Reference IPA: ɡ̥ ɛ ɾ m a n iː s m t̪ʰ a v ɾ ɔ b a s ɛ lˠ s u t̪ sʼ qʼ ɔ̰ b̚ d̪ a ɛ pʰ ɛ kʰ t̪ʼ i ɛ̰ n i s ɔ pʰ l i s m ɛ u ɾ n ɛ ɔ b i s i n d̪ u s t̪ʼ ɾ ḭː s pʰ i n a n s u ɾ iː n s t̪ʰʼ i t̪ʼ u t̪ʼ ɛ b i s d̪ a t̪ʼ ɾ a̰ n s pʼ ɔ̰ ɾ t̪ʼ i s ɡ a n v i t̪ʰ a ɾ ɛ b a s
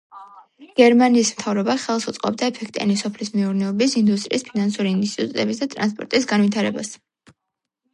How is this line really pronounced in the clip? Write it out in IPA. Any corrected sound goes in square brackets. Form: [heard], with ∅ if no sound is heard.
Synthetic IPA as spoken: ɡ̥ ɛ ɾ m a n iː s m t̪ʰ a v ɾ ɔ b a [χ] ɛ lˠ s u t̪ sʼ qʼ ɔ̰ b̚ d̪ a ɛ pʰ ɛ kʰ t̪ʼ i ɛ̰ n i s ɔ pʰ l i s m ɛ u ɾ n ɛ ɔ b i s i n d̪ u s t̪ʼ ɾ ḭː s pʰ i n a n s u ɾ iː n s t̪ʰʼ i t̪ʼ u t̪ʼ ɛ b i s d̪ a t̪ʼ ɾ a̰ n s pʼ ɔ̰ ɾ t̪ʼ i s ɡ a n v i t̪ʰ a ɾ ɛ b a s